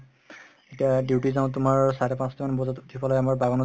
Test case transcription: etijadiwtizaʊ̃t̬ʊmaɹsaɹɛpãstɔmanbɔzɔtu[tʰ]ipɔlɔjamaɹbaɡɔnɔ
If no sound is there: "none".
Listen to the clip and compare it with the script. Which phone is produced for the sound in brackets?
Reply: tʰ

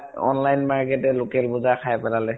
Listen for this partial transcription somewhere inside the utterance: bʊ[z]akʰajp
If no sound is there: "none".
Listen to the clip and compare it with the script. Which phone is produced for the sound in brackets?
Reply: z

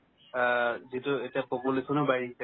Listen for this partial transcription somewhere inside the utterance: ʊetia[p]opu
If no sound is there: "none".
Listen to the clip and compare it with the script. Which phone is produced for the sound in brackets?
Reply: p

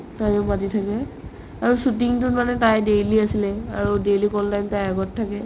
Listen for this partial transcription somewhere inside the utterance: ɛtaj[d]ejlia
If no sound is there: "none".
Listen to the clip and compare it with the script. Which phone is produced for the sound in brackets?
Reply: d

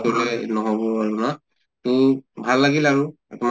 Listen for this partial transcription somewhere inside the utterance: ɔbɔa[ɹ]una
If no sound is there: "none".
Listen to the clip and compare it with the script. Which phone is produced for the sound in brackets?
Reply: ɹ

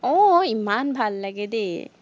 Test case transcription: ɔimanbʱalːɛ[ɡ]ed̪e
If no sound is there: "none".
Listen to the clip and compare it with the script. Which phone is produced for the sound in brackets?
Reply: ɡ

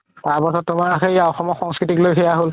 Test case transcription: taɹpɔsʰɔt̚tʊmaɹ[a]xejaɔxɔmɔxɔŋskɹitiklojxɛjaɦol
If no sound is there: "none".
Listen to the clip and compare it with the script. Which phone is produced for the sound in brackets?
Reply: a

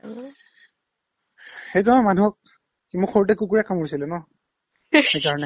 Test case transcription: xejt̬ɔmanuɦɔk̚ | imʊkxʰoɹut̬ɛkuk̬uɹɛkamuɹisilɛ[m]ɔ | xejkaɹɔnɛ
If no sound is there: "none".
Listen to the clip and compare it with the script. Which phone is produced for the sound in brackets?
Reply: n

